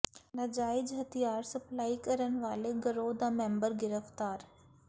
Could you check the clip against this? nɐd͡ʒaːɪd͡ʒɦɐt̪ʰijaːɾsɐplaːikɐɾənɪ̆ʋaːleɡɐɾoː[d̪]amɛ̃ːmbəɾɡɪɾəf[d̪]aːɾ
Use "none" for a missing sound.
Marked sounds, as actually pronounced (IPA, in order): d̪, t̪

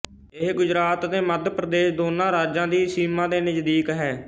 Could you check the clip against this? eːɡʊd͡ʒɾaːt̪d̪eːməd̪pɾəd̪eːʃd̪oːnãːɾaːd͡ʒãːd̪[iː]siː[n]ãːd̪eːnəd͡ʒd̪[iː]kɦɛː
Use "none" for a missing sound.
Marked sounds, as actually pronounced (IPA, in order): iː, m, iː

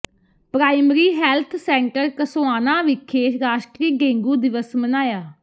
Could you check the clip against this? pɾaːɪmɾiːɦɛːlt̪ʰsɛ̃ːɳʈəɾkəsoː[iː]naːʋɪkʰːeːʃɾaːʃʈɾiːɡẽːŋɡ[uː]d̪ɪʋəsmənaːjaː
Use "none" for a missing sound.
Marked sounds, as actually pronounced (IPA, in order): aː, uː

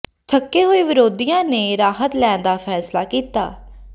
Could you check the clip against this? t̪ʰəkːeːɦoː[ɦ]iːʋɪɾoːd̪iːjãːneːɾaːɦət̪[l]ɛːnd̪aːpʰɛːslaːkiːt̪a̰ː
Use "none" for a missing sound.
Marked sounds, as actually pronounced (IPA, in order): none, l

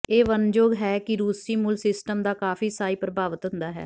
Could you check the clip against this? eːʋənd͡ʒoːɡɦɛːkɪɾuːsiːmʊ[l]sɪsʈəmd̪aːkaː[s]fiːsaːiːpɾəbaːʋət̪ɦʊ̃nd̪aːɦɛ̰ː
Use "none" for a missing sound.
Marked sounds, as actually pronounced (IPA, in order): l, none

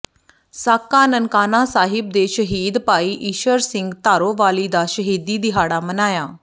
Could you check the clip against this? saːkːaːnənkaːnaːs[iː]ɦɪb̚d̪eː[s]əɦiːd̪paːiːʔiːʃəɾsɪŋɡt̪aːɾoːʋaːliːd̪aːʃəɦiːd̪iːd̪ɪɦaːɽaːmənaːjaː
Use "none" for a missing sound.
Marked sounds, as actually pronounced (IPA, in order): aː, ʃ

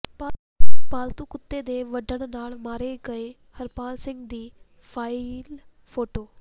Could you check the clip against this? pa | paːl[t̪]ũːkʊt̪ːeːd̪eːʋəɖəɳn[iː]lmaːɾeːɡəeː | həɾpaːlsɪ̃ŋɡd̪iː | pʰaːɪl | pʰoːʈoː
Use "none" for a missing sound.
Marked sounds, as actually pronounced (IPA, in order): t̪, aː

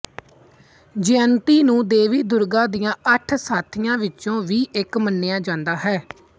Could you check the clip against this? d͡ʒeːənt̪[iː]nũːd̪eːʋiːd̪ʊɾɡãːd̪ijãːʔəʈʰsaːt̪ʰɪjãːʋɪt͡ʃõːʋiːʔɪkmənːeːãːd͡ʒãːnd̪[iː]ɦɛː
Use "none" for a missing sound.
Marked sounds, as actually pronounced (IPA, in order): iː, aː

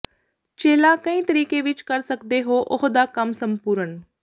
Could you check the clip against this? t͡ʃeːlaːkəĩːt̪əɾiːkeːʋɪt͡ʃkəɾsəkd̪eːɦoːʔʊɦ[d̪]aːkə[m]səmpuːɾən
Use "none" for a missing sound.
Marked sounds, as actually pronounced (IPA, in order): d̪, m

